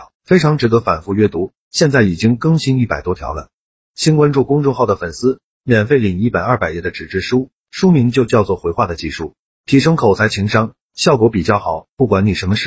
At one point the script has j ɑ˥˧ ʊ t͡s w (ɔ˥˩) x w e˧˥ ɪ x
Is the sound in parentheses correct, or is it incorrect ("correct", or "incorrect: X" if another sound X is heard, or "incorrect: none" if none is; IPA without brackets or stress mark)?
correct